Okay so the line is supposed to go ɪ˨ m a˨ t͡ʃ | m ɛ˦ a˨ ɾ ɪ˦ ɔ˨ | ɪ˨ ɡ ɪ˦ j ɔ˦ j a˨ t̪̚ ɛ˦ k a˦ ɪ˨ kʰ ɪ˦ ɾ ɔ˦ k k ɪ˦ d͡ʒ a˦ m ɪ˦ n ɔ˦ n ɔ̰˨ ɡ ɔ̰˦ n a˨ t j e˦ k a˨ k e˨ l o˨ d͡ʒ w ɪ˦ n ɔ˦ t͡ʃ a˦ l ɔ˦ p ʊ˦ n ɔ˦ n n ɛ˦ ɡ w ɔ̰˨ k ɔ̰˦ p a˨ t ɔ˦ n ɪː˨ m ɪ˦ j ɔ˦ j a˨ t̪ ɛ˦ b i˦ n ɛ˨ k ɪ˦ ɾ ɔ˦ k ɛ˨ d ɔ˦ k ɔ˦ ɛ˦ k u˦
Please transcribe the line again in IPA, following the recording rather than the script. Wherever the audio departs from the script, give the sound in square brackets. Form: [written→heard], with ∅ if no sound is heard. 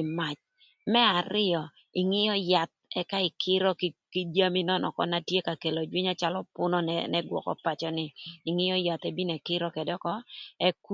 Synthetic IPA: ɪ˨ m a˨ t͡ʃ | m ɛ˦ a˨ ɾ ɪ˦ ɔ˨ | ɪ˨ [ɡ→ŋ] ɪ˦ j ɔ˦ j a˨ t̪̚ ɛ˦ k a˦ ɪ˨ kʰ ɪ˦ ɾ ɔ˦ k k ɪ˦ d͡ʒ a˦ m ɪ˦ n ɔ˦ n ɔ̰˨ [ɡ→k] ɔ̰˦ n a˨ t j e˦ k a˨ k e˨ l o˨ d͡ʒ w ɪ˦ [n→ɲ] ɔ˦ t͡ʃ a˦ l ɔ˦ p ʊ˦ n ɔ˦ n n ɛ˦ ɡ w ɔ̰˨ k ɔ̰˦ p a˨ [t→t͡ʃ] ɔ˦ n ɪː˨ [m→ŋ] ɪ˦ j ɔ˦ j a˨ t̪ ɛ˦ b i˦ n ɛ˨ k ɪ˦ ɾ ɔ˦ k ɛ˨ d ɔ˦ k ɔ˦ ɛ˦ k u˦

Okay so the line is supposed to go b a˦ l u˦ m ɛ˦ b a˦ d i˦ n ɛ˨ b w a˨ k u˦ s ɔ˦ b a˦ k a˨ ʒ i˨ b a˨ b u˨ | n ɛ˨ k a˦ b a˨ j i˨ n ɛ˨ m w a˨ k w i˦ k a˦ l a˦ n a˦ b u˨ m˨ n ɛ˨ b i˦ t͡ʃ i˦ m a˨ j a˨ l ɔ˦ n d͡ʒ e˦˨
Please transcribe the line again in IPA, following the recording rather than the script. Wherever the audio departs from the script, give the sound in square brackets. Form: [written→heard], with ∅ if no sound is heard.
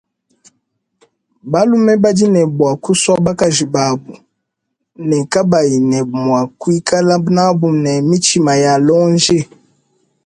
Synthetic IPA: b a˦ l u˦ m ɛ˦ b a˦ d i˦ n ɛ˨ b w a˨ k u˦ s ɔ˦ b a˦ k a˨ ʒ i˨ b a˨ b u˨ | n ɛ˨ k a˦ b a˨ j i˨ n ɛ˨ m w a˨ k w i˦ k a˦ l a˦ n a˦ b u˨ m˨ n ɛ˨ [b→m] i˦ t͡ʃ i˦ m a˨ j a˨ l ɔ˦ n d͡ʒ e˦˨

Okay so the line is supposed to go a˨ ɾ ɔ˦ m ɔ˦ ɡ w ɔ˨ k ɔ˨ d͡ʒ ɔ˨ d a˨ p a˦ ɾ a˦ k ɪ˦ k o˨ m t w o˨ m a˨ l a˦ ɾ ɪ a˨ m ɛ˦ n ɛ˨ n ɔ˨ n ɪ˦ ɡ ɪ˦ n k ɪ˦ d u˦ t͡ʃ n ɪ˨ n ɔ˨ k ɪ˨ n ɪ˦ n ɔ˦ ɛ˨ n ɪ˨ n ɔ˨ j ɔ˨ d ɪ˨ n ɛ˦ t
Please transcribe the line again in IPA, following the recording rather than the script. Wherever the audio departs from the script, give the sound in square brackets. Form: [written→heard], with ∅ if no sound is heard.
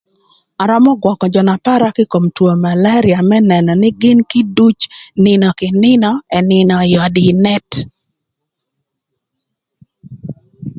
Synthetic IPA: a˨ ɾ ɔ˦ m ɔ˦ ɡ w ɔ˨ k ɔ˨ d͡ʒ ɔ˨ [d→n] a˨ p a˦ ɾ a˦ k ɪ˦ k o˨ m t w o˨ m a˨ l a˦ ɾ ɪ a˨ m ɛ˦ n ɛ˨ n ɔ˨ n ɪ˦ ɡ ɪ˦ n k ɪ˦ d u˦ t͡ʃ n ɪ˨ n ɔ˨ k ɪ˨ n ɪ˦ n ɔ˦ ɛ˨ n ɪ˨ n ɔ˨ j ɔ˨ d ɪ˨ n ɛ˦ t

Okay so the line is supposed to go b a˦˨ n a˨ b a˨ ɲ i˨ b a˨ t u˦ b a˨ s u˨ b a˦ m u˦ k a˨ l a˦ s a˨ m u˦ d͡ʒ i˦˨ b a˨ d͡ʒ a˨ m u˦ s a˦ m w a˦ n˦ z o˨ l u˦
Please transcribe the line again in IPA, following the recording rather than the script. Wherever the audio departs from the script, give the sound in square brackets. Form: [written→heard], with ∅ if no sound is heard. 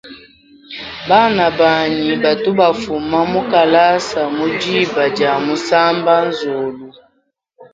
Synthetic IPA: b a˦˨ n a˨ b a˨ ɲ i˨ b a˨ t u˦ b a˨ [s→f] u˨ [b→m] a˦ m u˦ k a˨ l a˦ s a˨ m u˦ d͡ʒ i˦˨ b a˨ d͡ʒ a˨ m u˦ s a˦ m [w→b] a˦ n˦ z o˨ l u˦

